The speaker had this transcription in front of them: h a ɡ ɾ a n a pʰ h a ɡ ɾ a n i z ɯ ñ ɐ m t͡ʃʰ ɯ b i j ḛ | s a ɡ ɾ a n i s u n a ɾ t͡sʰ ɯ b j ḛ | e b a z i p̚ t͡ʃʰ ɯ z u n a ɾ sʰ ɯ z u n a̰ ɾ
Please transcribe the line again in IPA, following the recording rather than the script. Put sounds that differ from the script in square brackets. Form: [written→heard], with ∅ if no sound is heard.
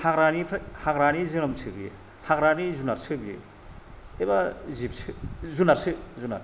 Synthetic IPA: h a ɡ ɾ a n [a→i] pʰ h a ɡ ɾ a n i z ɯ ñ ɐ m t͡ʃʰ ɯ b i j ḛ | [s→h] a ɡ ɾ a n i [s→z] u n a ɾ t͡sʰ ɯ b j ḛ | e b a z i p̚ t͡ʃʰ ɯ z u n a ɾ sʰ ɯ z u n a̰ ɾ